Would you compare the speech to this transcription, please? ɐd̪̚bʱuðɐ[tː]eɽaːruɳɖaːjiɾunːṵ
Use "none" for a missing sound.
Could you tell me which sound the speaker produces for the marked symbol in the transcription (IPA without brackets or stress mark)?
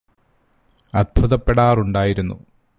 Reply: pː